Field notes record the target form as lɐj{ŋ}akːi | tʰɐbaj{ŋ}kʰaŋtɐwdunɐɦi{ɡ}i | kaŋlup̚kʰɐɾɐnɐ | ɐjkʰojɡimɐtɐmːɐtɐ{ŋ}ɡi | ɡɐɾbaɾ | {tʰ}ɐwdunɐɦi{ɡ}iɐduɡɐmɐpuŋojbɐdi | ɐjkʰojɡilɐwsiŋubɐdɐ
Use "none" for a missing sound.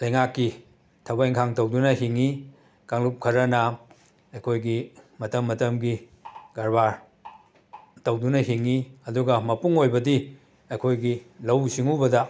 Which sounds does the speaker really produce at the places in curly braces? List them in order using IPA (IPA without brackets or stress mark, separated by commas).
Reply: ŋ, ŋ, ŋ, m, t, ŋ